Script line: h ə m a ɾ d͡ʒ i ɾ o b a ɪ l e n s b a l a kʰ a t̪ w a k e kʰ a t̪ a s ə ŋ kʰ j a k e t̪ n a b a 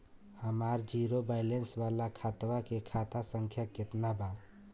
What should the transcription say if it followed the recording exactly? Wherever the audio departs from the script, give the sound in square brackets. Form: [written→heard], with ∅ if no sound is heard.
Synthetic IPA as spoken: h ə m a ɾ d͡ʒ i ɾ o b a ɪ l e n s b a l a kʰ a t̪ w a k e kʰ a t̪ a s ə ŋ kʰ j a k e t̪ n a b a